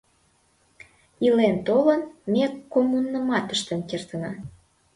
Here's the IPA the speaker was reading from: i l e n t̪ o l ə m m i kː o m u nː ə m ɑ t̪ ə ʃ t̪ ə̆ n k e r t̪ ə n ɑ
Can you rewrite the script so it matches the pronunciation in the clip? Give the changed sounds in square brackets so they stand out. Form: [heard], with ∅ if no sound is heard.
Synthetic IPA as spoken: i l e n t̪ o l ə [n] m [e] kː o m u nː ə m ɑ t̪ ə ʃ t̪ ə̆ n k e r t̪ ə n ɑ